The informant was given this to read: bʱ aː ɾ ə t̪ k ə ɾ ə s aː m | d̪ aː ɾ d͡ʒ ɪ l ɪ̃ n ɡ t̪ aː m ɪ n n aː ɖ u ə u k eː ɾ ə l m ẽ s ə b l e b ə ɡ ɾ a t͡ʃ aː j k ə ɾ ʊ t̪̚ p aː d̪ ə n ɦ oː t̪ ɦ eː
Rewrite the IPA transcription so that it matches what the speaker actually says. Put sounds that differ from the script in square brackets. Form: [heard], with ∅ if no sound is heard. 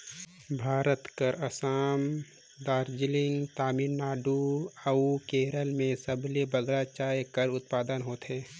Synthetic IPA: bʱ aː ɾ ə t̪ k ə ɾ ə s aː m | d̪ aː ɾ d͡ʒ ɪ l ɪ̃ [ŋ] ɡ t̪ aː m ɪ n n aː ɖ u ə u k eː ɾ ə l m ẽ s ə b l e b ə ɡ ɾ a t͡ʃ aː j k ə ɾ ʊ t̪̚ p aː d̪ ə n ɦ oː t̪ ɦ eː